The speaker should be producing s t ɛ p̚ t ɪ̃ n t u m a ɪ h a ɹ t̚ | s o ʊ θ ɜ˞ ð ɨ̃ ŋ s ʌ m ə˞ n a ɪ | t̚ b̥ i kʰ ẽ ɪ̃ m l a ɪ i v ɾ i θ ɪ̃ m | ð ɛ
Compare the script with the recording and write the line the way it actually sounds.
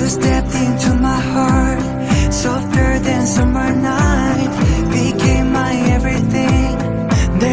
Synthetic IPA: s t ɛ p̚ t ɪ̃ n t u m a ɪ h ɑ ɹ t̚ | s o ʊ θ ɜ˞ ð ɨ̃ n s ʌ m ə˞ n a ɪ | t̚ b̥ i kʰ ẽ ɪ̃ m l a ɪ ɛ v ɹ i θ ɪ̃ ŋ | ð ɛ